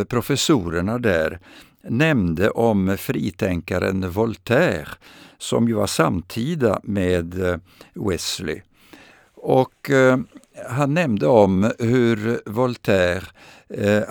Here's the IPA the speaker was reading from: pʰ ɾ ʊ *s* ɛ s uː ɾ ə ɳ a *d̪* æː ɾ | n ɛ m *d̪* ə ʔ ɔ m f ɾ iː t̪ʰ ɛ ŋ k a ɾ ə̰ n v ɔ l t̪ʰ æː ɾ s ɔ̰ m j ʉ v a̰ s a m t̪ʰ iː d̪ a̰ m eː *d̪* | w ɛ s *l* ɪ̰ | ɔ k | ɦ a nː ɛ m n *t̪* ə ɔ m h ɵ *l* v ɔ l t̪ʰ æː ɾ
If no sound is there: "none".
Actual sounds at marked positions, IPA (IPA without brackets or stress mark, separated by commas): f, d̪, d̪, d̪, l, d̪, ɾ